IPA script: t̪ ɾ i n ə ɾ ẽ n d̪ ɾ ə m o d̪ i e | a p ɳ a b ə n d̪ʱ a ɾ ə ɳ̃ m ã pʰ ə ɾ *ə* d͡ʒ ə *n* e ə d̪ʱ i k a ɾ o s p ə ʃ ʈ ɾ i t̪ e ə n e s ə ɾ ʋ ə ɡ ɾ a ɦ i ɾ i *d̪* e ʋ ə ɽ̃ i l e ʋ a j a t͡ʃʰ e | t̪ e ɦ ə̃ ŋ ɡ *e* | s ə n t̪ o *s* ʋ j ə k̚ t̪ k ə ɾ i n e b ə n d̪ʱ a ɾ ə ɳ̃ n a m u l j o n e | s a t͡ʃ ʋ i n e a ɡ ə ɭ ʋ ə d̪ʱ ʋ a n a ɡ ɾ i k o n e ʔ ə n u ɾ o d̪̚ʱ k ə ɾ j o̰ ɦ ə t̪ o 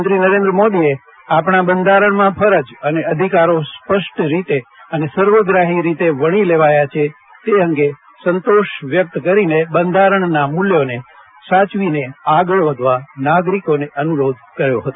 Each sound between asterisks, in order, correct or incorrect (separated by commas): correct, correct, incorrect, correct, incorrect